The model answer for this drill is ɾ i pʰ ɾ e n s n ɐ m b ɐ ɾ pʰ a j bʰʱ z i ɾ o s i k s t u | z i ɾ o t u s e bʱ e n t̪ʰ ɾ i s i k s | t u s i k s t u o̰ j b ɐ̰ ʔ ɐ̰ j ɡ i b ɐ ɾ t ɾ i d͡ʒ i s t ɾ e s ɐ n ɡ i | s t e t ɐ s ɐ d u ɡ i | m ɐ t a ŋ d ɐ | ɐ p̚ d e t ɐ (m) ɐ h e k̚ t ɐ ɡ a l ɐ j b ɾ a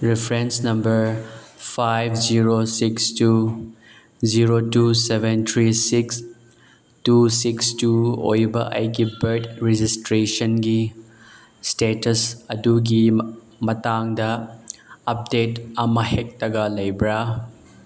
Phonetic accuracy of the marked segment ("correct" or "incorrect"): correct